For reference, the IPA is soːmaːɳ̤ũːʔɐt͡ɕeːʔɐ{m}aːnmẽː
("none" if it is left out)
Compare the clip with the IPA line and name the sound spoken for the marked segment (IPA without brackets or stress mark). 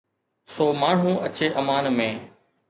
m